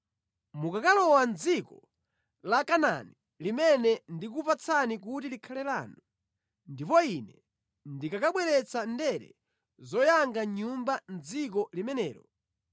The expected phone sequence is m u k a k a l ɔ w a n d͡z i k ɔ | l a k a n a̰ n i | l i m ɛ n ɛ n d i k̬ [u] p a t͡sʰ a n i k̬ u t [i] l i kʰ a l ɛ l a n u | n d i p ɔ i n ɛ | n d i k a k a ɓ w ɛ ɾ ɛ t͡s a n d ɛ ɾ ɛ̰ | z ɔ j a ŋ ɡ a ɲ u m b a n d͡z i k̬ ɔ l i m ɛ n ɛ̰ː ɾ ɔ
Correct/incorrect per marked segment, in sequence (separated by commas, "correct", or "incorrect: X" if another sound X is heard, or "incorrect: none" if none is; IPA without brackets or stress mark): correct, correct